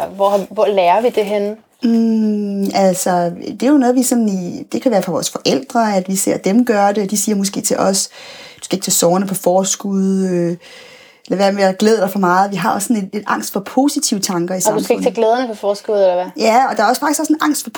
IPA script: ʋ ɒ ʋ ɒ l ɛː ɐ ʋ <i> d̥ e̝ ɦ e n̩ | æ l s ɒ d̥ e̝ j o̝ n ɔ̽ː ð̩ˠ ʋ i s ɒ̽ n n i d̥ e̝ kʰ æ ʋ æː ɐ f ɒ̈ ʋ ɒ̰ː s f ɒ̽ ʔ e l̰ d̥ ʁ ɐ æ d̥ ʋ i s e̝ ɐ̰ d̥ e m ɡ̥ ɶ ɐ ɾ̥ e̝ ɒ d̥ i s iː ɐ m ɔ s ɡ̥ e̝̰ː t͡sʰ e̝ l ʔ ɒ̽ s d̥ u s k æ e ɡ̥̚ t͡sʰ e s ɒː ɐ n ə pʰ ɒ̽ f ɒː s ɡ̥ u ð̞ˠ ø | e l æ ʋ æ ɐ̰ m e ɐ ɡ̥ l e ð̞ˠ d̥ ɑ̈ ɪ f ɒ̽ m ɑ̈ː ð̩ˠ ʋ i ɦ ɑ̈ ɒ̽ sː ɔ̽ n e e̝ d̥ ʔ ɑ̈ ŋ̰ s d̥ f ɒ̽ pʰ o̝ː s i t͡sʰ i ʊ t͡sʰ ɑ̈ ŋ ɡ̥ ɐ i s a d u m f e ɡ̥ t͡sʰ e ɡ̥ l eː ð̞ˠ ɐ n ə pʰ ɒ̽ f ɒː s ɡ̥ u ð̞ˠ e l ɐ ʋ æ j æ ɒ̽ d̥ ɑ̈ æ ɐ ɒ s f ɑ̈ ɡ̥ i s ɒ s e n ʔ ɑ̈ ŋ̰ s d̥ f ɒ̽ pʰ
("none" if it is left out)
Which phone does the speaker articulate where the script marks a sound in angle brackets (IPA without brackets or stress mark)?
i